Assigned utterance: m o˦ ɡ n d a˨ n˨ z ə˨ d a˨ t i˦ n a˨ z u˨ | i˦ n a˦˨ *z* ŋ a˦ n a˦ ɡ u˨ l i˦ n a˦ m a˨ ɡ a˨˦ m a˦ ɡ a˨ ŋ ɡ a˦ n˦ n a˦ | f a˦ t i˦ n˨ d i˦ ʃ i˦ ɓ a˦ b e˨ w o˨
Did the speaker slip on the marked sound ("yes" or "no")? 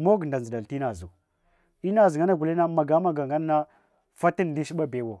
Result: no